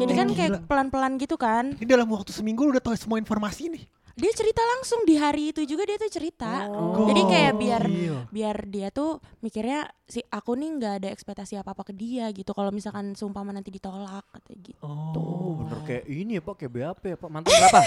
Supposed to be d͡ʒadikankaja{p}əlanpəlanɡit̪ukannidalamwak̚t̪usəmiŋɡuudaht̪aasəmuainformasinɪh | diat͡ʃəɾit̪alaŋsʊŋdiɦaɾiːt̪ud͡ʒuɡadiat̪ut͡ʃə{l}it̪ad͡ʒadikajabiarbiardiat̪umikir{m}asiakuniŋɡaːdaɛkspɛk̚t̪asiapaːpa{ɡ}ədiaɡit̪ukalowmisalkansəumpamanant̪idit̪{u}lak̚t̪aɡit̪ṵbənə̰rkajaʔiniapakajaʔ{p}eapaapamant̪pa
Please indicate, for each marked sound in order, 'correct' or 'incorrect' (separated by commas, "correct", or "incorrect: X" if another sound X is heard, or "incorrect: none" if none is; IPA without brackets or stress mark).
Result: correct, incorrect: ɾ, incorrect: ɲ, incorrect: k, incorrect: o, incorrect: b